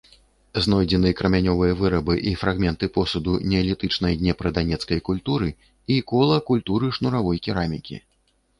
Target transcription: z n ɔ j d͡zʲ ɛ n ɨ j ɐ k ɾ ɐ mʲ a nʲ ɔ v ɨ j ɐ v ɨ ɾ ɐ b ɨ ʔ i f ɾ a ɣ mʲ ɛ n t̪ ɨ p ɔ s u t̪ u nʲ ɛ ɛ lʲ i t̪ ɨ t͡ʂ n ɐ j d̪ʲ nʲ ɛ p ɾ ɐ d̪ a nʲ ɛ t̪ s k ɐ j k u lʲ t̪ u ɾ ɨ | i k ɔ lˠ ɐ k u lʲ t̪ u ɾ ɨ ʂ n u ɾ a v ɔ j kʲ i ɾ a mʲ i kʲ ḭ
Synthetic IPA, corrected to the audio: z n ɔ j d͡zʲ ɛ n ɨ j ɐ k ɾ ɐ mʲ a nʲ ɔ v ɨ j ɐ v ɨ ɾ ɐ b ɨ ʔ i f ɾ a ɣ mʲ ɛ n t̪ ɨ p ɔ s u d̪ u nʲ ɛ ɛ lʲ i t̪ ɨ t͡ʂ n ɐ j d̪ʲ nʲ ɛ p ɾ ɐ d̪ a nʲ ɛ t̪ s k ɐ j k u lʲ t̪ u ɾ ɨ | i k ɔ lˠ ɐ k u lʲ t̪ u ɾ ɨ ʂ n u ɾ a v ɔ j kʲ i ɾ a mʲ i kʲ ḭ